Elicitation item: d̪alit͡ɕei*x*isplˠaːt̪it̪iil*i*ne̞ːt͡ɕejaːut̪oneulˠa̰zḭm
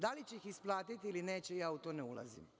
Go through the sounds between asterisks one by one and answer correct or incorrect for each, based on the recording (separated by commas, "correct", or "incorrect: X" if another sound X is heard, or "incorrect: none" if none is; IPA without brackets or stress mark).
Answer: correct, correct